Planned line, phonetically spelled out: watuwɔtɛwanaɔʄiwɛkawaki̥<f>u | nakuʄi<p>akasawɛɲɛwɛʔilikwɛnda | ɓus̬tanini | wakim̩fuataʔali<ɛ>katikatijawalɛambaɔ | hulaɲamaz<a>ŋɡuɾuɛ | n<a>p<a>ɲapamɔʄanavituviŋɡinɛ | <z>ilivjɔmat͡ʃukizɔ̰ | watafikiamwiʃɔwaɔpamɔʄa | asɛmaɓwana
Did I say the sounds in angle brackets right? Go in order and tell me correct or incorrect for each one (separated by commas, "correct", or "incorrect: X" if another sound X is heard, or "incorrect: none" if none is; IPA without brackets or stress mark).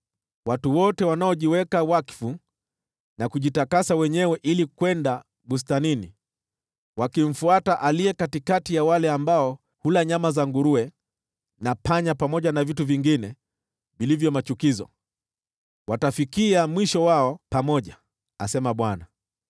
correct, incorrect: t, correct, correct, correct, correct, incorrect: v